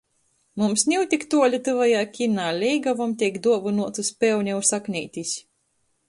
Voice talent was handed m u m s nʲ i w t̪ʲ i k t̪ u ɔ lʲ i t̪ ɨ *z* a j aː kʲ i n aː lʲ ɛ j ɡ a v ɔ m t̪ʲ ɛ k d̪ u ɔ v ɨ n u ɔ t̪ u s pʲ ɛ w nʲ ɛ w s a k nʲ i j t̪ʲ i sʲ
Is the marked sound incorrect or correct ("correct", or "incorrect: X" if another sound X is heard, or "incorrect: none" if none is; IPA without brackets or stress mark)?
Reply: incorrect: v